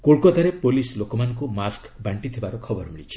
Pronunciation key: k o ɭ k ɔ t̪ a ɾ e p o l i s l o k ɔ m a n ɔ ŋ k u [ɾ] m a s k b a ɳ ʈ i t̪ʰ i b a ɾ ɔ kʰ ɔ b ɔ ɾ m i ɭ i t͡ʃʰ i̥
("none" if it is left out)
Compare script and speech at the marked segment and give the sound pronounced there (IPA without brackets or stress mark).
none